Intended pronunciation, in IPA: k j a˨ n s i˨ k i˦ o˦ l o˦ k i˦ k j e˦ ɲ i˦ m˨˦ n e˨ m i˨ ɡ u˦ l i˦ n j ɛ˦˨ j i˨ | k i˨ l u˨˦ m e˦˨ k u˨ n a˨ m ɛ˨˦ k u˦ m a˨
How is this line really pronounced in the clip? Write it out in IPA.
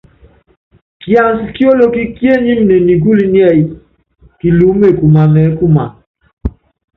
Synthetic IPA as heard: k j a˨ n s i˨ k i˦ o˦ l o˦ k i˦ k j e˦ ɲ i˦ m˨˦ n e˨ n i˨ ɡ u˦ l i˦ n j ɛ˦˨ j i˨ | k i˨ l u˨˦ m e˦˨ k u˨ m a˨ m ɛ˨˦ k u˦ m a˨